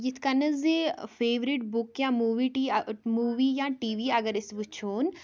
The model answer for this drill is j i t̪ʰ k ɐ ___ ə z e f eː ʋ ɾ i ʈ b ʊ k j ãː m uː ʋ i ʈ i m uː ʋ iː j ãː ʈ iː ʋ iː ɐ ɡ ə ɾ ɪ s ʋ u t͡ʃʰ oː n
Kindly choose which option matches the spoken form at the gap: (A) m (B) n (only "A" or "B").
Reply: B